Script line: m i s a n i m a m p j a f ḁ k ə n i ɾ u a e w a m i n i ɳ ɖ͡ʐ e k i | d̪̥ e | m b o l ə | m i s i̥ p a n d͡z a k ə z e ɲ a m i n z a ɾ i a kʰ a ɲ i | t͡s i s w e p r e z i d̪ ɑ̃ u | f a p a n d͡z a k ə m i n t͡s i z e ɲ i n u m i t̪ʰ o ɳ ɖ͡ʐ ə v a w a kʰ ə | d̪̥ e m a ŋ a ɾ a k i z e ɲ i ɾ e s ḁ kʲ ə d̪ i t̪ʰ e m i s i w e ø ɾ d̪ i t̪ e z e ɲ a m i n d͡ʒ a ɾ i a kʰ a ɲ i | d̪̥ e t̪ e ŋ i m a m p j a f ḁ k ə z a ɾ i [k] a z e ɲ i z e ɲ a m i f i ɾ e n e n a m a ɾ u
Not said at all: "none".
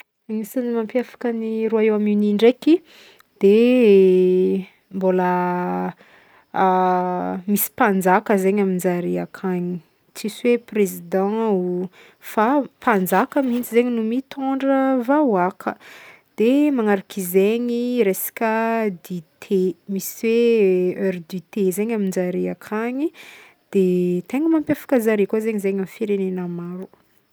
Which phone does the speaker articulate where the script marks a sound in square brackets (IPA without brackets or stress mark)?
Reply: k